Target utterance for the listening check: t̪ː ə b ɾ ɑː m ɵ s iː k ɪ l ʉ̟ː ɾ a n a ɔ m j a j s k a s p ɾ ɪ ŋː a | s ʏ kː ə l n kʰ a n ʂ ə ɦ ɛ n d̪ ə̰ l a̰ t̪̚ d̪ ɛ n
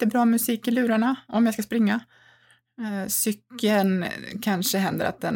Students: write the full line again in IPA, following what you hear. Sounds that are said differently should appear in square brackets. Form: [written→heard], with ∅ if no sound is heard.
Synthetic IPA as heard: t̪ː ə b ɾ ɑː m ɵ s iː k ɪ l ʉ̟ː ɾ a [n→ɳ] a ɔ m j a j s k a s p ɾ ɪ ŋː a | s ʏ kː ə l n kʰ a n ʂ ə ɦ ɛ n d̪ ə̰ [l→ɾ] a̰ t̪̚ d̪ ɛ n